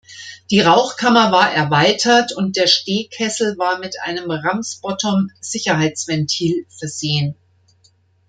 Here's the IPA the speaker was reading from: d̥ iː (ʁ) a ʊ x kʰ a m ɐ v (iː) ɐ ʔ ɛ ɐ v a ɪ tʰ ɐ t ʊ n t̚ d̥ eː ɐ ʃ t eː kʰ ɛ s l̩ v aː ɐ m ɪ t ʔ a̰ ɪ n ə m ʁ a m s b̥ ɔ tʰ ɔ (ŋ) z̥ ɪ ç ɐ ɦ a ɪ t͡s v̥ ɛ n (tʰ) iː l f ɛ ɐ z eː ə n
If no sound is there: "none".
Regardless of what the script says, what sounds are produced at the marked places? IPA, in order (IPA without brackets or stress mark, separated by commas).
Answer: ʁ, aː, m, tʰ